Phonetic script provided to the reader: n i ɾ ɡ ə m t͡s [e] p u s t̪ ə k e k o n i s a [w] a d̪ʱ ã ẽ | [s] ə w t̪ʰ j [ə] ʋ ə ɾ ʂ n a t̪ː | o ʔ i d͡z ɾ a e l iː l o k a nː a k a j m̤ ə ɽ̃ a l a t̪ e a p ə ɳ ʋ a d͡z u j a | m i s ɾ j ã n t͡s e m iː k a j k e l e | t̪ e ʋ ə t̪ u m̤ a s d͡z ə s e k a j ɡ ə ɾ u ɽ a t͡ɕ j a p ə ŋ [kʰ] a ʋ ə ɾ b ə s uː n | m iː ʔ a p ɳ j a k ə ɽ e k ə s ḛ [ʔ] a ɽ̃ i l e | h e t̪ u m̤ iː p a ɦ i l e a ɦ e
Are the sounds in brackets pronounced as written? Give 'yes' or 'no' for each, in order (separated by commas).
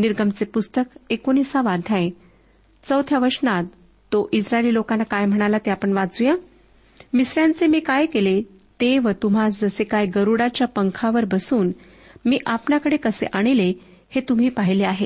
yes, no, no, no, yes, yes